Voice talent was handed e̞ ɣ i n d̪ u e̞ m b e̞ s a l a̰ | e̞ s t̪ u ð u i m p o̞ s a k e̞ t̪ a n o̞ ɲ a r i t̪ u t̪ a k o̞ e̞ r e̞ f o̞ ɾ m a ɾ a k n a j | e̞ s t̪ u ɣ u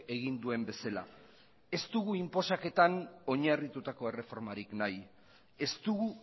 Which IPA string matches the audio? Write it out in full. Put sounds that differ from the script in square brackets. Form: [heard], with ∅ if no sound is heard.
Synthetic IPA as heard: e̞ ɣ i n d̪ u e̞ m b e̞ s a l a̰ | e̞ s t̪ u [ɣ] u i m p o̞ s a k e̞ t̪ a n o̞ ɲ a r i t̪ u t̪ a k o̞ e̞ r e̞ f o̞ ɾ m a ɾ [i] k n a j | e̞ s t̪ u ɣ u